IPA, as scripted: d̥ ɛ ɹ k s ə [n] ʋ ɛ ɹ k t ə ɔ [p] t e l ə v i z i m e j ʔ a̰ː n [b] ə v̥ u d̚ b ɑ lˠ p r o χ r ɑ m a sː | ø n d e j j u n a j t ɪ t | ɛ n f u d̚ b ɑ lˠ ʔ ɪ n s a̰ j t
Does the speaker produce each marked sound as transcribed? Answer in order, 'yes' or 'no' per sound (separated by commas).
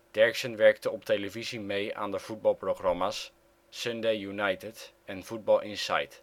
yes, yes, no